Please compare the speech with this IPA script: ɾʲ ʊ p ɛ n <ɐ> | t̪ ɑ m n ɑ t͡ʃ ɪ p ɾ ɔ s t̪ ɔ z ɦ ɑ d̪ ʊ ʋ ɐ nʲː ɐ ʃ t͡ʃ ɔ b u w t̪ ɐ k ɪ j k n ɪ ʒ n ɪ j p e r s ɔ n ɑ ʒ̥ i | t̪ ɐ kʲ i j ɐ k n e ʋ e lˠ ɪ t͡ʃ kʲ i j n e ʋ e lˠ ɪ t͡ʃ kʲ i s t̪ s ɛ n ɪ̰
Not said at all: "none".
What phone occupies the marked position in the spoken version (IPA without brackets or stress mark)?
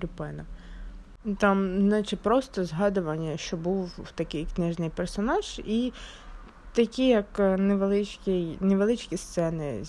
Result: ɐ